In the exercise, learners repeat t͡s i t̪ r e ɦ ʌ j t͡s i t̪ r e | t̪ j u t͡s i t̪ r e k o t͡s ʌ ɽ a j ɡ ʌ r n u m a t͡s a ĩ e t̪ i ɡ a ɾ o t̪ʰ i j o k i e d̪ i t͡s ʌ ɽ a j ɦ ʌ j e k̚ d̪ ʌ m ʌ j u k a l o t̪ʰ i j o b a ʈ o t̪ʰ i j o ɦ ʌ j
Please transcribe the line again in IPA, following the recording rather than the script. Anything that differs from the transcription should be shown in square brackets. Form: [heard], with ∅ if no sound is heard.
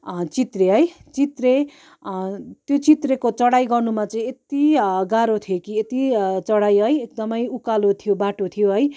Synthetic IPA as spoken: t͡s i t̪ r e ɦ ʌ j t͡s i t̪ r e | t̪ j [o] t͡s i t̪ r e k o t͡s ʌ ɽ a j ɡ ʌ r n u m a t͡s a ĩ e t̪ i ɡ a ɾ o t̪ʰ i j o k i e [t̪] i t͡s ʌ ɽ a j ɦ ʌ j e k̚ d̪ ʌ m ʌ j u k a l o t̪ʰ i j o b a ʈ o t̪ʰ i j o ɦ ʌ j